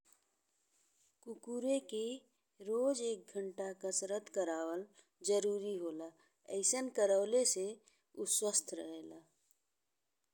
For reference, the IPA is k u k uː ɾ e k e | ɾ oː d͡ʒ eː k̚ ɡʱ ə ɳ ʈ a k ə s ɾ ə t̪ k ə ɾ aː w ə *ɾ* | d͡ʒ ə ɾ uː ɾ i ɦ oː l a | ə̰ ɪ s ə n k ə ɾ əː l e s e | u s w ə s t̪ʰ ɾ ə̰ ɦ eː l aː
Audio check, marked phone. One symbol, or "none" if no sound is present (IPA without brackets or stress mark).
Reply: l